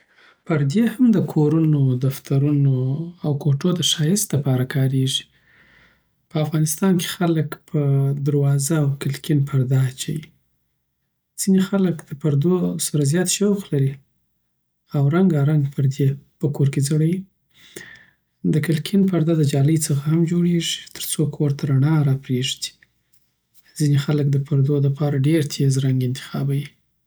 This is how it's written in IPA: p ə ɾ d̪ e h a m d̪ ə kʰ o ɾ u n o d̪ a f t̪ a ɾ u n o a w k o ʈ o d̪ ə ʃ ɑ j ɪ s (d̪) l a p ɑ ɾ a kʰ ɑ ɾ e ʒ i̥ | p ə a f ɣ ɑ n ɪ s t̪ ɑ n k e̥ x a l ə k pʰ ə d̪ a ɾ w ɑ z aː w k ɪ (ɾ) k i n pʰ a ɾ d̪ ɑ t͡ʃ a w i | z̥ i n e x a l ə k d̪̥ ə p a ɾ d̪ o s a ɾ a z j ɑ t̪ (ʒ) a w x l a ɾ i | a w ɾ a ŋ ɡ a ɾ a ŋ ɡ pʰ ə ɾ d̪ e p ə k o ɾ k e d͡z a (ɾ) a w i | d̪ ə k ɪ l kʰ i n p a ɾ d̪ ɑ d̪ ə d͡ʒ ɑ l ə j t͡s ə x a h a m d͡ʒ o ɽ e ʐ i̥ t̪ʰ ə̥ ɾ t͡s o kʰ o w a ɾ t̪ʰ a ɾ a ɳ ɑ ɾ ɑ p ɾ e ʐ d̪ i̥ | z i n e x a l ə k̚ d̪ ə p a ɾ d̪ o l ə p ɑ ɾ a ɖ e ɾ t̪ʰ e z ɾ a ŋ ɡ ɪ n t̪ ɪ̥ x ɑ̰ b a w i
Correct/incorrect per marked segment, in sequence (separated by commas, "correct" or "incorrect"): incorrect, incorrect, incorrect, incorrect